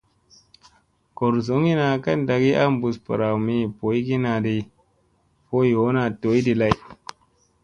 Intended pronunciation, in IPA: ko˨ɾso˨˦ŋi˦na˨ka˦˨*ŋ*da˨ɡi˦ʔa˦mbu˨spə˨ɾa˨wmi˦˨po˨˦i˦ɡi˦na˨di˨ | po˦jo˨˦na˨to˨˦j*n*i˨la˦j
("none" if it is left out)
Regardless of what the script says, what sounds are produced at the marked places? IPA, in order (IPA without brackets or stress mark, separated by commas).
n, d